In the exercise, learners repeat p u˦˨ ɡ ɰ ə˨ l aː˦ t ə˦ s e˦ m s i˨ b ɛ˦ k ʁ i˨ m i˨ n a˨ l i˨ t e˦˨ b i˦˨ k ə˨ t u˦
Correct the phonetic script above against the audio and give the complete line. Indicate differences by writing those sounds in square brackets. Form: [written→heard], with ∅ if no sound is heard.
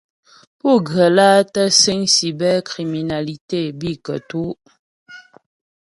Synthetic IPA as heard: p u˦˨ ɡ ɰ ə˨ l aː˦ t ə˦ s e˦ [m→ŋ] s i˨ b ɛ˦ k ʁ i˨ m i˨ n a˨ l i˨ t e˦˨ b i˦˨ k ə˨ t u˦